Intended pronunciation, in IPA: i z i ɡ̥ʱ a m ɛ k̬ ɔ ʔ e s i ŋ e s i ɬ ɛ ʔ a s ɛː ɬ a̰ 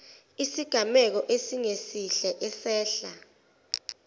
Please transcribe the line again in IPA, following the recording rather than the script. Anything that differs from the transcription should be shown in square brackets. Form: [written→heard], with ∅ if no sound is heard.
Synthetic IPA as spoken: i [z→s] i ɡ̥ʱ a m ɛ k̬ ɔ ʔ e s i ŋ e s i ɬ ɛ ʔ [a→ɛ] s ɛː ɬ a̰